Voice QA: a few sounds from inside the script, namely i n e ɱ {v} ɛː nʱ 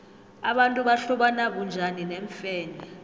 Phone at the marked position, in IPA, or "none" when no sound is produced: f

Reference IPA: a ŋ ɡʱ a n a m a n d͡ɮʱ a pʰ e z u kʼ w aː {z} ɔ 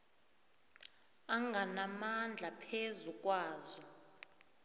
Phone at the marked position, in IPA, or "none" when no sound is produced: z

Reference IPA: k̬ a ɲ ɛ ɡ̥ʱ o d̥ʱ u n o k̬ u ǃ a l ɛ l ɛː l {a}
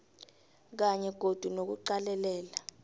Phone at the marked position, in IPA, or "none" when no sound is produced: a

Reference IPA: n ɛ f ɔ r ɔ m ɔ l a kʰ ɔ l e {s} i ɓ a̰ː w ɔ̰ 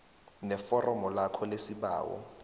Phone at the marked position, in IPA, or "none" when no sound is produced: s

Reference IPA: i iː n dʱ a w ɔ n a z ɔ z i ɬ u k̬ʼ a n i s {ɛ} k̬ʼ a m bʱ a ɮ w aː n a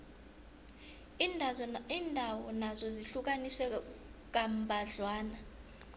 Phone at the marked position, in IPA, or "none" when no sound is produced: ɛ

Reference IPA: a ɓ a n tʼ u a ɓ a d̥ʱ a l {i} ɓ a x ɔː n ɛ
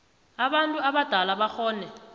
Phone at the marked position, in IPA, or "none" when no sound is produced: a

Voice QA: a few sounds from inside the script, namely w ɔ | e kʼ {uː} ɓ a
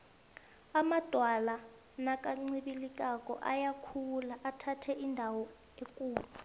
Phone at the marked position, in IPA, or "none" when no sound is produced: uː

